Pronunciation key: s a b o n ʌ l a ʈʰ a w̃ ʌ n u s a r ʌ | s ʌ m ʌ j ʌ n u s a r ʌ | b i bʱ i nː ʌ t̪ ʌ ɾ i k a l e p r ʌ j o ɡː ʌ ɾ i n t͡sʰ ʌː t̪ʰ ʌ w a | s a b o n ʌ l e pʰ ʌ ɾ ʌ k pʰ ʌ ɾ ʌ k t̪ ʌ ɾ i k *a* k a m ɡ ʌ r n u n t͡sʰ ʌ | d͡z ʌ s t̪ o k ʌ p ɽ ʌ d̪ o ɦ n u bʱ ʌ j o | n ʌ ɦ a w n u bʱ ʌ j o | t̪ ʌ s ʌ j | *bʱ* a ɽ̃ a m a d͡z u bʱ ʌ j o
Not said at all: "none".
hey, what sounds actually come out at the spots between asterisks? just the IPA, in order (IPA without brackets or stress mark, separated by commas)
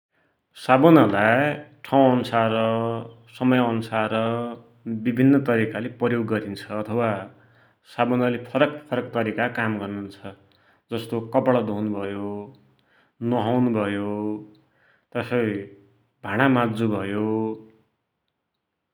a, bʱ